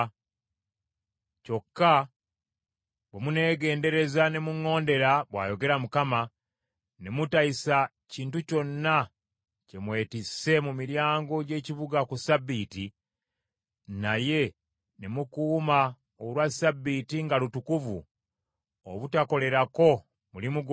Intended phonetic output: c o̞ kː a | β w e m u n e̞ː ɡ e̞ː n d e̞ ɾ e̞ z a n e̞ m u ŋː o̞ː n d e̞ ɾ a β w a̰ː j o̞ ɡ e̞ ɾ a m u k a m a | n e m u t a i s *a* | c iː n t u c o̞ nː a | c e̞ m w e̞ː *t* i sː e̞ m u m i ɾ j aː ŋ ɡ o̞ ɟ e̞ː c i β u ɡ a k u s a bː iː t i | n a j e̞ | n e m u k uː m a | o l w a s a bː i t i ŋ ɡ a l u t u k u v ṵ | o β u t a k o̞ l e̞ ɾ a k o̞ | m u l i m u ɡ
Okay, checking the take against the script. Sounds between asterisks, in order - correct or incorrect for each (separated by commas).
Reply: correct, correct